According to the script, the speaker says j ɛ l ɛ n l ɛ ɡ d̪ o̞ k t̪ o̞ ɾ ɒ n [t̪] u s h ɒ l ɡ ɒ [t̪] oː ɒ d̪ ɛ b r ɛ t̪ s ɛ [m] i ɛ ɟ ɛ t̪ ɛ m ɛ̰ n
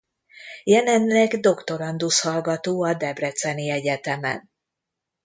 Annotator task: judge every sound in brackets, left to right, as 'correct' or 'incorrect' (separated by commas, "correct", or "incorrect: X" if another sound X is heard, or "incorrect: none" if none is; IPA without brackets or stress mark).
incorrect: d̪, correct, incorrect: n